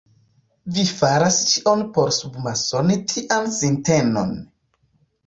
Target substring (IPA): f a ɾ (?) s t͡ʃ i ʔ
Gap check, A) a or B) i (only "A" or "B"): A